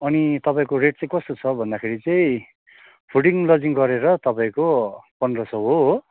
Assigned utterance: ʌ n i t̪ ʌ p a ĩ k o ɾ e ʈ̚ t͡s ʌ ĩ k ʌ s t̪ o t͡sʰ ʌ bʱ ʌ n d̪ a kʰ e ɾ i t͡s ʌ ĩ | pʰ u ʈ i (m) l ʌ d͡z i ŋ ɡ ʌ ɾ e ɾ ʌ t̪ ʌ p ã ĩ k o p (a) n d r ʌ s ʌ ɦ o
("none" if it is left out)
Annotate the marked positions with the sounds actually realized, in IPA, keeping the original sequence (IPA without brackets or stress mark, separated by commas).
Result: ŋ, ʌ